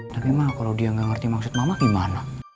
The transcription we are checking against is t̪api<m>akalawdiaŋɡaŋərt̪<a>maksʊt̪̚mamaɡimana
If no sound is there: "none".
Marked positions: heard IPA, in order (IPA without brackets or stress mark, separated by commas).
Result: m, i